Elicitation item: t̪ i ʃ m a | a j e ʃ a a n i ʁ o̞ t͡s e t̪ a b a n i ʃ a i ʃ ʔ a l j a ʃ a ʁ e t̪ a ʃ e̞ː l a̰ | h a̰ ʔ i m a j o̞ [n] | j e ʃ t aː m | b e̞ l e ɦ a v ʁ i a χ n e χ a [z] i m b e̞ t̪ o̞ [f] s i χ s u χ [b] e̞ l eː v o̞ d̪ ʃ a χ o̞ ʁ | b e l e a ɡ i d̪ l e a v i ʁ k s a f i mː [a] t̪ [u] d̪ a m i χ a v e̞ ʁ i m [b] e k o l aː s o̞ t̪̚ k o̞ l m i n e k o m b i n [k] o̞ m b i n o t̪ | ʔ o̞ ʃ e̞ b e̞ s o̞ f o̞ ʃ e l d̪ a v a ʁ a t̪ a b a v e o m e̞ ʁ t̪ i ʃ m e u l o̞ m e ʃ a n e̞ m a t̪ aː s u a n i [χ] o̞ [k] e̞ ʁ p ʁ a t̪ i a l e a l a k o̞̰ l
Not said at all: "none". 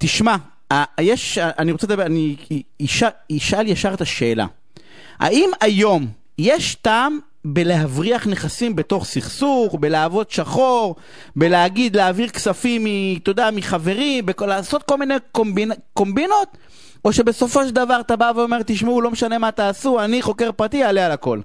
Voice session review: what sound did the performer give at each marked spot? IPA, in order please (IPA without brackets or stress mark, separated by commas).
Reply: m, s, χ, b, i, o, b, k, χ, k